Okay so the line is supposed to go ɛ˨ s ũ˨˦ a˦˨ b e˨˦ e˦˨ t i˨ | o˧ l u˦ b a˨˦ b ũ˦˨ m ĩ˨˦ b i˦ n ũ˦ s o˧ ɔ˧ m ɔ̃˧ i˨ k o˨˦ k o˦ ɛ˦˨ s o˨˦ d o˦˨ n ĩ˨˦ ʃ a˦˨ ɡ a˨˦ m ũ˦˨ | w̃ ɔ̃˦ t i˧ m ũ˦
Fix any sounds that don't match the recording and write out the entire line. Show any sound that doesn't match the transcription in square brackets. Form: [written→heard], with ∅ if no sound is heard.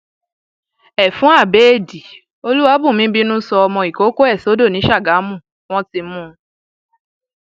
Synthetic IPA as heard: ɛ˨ [s→f] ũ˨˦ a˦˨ b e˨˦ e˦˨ [t→d] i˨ | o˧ l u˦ [b→w] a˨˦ b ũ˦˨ m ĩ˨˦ b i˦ n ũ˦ s [o˧→ɔ˧] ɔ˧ m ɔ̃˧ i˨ k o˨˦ k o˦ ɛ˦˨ s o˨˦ d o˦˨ n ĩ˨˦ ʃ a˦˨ ɡ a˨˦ m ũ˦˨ | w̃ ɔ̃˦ t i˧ m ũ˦